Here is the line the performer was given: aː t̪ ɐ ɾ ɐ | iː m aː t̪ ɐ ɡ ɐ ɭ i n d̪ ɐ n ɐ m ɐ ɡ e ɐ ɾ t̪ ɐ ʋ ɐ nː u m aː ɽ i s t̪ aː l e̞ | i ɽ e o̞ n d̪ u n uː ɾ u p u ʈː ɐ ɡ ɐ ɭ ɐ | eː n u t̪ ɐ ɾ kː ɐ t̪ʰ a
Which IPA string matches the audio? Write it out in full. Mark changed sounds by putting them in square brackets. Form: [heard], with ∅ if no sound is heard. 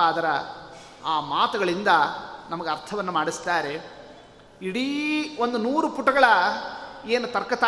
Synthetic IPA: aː [d̪] ɐ ɾ ɐ | [aː] m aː t̪ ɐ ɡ ɐ ɭ i n d̪ ɐ n ɐ m ɐ ɡ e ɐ ɾ [t̪ʰ] ɐ ʋ ɐ nː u m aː ɽ i s t̪ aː [ɾ] e̞ | i ɽ [i] o̞ n d̪ u n uː ɾ u p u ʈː ɐ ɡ ɐ ɭ ɐ | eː n u t̪ ɐ ɾ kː ɐ [t̪] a